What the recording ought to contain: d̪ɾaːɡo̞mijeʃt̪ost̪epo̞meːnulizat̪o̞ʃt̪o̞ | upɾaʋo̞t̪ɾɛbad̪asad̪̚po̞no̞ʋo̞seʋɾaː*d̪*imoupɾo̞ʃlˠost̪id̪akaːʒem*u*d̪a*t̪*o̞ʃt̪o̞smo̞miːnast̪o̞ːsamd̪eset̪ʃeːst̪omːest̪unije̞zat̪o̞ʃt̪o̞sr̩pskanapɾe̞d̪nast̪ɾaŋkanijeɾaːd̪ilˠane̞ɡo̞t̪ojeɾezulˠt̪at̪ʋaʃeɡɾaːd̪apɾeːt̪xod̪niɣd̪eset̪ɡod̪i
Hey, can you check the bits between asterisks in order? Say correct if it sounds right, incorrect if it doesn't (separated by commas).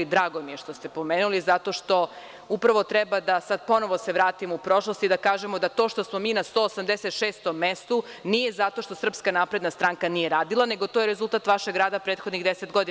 incorrect, incorrect, correct